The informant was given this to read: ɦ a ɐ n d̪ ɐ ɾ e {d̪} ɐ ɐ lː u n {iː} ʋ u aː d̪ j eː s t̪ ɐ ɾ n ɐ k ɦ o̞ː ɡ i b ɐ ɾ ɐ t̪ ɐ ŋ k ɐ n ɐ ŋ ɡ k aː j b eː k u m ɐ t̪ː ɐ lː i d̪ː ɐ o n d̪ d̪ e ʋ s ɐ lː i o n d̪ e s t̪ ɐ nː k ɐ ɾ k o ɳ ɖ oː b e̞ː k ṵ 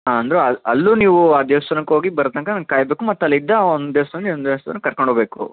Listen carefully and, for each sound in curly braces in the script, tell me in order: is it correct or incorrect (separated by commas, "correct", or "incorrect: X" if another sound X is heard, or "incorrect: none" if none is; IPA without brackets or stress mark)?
incorrect: none, correct